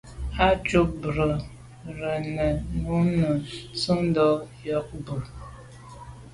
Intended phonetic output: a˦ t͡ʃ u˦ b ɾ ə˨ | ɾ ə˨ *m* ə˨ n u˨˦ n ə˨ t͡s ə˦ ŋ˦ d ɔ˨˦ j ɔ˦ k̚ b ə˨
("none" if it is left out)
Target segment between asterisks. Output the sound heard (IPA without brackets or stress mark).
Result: n